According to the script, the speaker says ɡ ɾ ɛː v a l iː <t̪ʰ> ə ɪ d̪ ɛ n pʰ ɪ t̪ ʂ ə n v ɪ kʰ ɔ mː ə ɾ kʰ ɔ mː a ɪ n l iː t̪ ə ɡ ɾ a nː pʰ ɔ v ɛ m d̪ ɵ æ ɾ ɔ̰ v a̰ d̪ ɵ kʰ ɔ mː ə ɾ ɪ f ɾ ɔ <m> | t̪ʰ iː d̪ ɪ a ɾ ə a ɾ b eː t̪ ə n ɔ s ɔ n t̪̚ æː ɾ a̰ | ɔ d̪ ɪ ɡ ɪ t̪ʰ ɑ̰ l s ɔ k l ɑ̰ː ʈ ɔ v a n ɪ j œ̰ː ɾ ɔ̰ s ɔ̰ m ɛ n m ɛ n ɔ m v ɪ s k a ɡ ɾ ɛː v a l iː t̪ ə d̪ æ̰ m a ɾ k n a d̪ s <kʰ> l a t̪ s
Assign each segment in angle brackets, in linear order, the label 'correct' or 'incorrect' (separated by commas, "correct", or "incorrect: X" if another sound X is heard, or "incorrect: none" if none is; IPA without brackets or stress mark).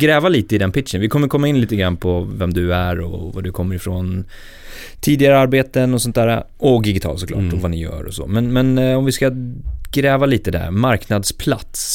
incorrect: t̪, incorrect: n, incorrect: pʰ